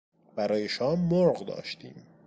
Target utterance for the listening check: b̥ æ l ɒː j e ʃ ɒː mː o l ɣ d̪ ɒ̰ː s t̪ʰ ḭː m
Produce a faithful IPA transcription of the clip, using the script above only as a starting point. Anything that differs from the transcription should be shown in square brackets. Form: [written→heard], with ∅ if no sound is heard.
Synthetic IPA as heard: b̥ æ [l→ɾ] ɒː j e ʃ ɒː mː o [l→ɾ] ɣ d̪ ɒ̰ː [s→ʃ] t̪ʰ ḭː m